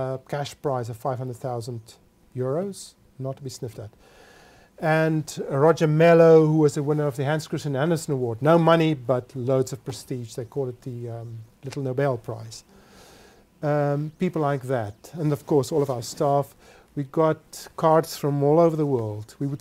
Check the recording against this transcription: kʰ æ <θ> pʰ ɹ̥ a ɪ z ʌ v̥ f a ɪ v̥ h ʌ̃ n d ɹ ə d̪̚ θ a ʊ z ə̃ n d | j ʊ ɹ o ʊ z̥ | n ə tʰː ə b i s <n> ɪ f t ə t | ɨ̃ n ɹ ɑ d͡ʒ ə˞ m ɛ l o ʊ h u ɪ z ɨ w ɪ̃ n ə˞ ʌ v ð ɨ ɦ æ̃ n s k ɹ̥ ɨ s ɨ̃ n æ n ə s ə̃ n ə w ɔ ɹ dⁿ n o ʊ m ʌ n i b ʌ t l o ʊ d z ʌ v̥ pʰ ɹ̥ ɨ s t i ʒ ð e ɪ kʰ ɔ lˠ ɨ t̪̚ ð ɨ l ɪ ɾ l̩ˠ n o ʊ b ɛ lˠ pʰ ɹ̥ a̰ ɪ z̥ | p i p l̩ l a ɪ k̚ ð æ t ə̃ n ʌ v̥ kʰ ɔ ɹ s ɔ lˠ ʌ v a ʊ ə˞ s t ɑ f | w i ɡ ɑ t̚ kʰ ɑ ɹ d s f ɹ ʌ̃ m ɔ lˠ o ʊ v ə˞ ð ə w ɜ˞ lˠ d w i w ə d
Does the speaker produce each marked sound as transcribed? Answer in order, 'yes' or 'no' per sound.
no, yes

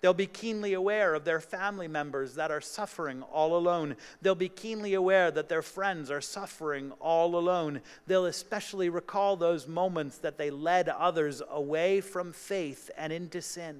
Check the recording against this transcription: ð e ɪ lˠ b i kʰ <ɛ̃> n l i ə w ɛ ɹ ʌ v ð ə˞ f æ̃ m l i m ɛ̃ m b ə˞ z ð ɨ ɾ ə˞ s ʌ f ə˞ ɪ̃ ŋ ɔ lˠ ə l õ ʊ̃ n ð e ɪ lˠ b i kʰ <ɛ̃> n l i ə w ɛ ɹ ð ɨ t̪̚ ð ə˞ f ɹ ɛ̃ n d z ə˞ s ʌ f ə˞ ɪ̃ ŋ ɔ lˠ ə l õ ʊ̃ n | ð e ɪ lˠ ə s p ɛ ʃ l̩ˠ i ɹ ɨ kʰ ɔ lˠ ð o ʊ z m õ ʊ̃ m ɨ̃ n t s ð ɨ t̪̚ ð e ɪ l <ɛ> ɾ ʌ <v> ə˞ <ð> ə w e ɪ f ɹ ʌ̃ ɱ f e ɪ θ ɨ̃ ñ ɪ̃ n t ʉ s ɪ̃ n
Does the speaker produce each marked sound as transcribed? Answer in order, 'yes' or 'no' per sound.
no, no, yes, no, no

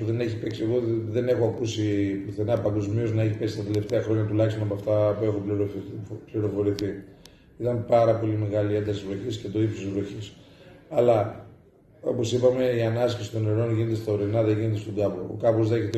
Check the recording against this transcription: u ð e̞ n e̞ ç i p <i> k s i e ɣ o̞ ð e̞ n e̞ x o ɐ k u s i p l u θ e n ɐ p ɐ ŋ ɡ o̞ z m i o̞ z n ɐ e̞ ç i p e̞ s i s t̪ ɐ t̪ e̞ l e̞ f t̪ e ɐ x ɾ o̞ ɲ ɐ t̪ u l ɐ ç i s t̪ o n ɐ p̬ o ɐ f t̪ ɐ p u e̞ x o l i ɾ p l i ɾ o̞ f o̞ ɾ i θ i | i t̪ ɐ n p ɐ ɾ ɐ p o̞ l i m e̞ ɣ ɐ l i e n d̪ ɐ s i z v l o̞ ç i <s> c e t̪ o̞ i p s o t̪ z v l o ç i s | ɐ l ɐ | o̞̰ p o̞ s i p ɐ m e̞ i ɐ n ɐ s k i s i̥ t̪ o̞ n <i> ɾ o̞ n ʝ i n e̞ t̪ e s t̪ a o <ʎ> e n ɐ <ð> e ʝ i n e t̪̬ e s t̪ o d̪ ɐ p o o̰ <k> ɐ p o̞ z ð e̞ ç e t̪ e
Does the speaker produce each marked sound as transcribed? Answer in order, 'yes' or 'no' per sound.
no, yes, no, no, yes, yes

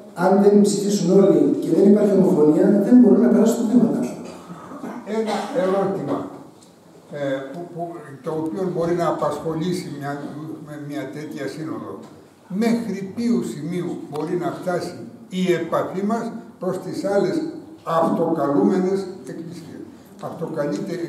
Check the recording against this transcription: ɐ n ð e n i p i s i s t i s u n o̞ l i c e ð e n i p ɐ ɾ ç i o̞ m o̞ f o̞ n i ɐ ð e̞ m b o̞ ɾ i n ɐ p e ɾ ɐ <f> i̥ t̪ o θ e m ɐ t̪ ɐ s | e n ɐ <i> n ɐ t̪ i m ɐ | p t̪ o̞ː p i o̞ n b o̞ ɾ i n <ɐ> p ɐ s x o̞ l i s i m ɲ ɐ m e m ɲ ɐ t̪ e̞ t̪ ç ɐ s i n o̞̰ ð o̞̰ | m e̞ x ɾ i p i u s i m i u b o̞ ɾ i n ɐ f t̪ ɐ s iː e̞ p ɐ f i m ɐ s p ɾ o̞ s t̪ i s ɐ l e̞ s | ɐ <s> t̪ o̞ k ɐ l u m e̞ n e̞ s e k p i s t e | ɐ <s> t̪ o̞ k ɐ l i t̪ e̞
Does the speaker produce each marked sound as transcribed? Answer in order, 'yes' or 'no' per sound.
no, no, no, no, no

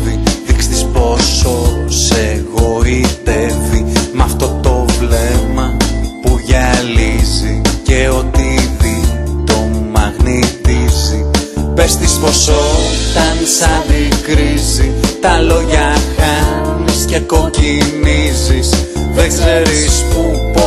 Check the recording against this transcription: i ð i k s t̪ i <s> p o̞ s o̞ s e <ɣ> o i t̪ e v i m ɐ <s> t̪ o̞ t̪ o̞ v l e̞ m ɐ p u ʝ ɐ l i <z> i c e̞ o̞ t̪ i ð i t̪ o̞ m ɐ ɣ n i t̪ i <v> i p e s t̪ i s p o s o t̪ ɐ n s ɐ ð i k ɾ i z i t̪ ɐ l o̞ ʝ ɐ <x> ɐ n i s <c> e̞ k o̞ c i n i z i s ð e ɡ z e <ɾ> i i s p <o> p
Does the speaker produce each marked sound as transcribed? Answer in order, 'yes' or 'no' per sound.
yes, yes, no, yes, no, yes, yes, yes, no

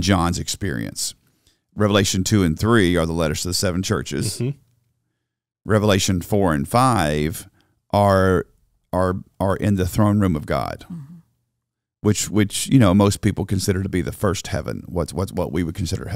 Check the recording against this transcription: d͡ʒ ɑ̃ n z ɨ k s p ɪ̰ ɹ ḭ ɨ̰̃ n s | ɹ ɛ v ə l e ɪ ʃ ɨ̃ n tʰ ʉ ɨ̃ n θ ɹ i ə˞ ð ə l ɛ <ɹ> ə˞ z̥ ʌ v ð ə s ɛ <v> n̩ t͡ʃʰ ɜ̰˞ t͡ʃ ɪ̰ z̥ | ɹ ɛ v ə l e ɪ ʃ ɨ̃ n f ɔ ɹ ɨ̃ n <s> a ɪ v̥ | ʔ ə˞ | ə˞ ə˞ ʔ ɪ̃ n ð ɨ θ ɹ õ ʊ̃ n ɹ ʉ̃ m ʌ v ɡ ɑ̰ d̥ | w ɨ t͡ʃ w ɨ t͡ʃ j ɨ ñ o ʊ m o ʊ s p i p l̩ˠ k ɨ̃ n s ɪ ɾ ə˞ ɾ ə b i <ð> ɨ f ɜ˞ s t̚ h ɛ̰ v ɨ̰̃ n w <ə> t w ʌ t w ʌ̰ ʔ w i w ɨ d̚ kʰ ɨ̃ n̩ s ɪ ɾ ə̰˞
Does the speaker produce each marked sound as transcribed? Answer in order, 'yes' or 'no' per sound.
no, yes, no, yes, no

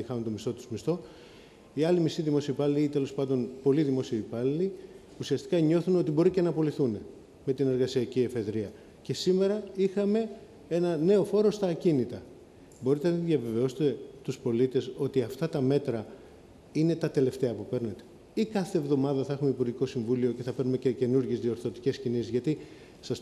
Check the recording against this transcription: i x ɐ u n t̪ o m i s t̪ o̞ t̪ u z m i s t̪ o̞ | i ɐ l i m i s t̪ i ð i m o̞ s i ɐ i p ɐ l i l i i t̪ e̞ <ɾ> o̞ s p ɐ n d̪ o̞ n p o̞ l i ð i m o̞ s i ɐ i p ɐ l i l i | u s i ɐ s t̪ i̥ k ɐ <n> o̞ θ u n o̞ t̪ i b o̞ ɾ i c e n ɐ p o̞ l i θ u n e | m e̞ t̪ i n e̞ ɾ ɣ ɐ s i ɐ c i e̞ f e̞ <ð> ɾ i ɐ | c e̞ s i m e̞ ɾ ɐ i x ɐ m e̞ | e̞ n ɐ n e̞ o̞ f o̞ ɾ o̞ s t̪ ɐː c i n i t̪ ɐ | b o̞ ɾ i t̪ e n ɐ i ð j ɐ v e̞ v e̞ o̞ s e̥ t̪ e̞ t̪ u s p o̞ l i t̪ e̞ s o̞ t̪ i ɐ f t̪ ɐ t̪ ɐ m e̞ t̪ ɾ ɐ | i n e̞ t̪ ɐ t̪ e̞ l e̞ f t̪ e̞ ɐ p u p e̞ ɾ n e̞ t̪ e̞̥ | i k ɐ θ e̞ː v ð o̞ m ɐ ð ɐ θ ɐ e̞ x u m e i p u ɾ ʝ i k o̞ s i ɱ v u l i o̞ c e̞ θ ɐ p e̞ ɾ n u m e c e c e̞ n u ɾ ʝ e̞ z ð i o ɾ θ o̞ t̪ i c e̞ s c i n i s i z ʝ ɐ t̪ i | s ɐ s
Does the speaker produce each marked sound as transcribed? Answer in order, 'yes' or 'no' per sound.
no, no, yes

